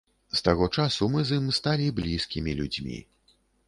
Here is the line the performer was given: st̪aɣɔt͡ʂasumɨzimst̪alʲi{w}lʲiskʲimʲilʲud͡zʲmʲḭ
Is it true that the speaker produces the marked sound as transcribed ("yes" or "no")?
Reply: no